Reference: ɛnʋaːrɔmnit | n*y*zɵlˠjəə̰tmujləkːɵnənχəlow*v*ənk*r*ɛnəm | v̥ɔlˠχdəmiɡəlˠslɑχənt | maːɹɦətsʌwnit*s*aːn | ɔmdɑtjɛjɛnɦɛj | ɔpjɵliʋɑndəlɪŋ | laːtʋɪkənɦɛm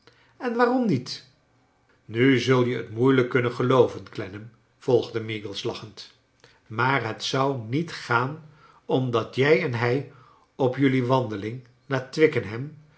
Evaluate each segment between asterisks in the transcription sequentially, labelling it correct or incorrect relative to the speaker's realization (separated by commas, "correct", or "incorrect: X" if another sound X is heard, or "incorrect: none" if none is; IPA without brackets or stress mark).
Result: correct, correct, incorrect: l, incorrect: χ